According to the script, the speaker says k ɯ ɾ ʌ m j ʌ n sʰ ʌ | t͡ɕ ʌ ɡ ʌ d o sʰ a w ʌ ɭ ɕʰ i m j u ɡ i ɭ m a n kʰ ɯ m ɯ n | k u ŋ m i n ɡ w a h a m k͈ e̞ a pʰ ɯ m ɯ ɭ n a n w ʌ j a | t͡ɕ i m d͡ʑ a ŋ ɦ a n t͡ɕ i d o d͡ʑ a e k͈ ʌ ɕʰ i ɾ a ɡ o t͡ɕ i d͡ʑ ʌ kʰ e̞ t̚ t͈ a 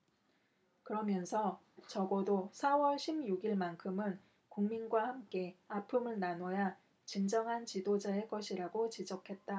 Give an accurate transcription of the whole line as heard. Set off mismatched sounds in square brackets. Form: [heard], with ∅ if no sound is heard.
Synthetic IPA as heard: k ɯ ɾ ʌ m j ʌ n sʰ ʌ | t͡ɕ ʌ ɡ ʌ d o sʰ a w ʌ ɭ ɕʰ i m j u ɡ i ɭ m a n kʰ ɯ m ɯ n | k u ŋ m i n ɡ w a h a m k͈ e̞ a pʰ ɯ m ɯ ɭ n a n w ʌ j a | t͡ɕ i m d͡ʑ [ʌ] ŋ ɦ a n t͡ɕ i d o d͡ʑ a e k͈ ʌ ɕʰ i ɾ a ɡ o t͡ɕ i d͡ʑ ʌ kʰ e̞ t̚ t͈ a